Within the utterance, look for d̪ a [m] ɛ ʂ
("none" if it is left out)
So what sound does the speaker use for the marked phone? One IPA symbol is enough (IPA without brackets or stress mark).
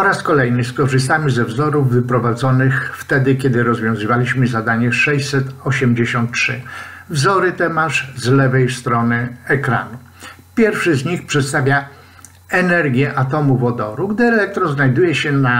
ɲ